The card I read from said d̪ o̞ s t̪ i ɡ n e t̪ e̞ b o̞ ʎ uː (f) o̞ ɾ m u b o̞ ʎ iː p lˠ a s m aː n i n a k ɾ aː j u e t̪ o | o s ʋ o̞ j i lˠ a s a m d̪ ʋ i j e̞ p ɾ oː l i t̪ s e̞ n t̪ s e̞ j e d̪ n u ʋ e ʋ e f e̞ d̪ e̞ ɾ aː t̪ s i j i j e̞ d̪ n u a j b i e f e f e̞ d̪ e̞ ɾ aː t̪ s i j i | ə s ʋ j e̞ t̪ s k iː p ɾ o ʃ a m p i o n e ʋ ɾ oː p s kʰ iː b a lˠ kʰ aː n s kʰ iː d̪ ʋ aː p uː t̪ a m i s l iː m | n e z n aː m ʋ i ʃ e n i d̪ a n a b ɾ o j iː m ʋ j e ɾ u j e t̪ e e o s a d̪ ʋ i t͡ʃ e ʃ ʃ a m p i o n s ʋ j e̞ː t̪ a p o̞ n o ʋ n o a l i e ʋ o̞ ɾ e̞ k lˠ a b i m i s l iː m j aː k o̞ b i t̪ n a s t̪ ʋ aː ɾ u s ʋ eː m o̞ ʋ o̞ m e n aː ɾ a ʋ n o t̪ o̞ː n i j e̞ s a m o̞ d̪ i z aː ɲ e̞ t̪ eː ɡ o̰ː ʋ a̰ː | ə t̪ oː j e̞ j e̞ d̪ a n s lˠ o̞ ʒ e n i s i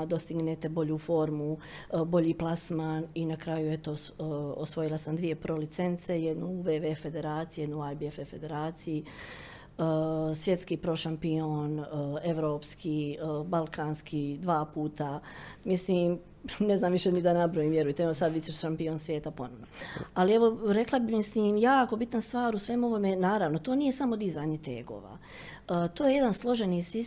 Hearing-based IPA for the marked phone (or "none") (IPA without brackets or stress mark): f